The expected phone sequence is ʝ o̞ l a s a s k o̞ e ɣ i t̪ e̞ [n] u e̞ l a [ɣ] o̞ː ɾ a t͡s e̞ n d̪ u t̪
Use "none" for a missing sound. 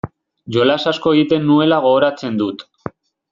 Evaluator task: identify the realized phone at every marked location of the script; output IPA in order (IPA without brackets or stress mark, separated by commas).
nː, ɣ